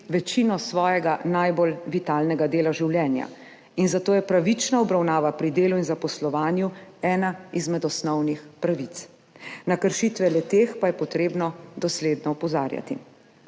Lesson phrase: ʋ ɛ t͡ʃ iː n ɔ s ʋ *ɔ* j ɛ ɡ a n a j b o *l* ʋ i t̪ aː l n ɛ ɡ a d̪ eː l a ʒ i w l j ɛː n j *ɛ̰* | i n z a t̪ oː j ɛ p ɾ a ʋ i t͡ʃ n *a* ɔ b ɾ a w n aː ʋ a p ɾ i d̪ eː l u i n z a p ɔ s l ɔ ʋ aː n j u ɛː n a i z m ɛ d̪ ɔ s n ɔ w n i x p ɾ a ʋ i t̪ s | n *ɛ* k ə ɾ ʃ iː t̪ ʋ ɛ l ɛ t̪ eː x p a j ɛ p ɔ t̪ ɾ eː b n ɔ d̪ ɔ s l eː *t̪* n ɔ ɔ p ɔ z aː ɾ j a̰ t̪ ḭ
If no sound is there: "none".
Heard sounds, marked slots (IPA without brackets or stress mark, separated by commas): ɔː, l, a̰, a, a, d̪